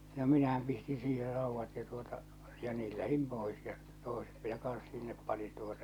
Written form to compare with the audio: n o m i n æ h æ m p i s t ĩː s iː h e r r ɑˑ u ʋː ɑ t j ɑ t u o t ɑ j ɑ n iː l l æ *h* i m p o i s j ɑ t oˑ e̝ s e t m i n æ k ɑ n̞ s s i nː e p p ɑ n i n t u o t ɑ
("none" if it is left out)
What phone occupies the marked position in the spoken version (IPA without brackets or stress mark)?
h